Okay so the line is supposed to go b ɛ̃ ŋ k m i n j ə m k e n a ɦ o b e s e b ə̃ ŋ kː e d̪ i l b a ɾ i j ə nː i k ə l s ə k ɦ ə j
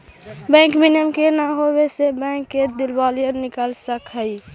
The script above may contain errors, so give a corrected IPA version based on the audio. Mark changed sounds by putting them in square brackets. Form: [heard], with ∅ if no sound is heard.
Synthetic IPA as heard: b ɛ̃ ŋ k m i n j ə m k e n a ɦ o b e s e b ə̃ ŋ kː e d̪ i l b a [l] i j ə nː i k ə l s ə k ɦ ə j